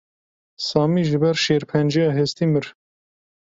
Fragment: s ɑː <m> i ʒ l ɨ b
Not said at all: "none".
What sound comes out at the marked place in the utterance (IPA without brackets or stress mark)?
m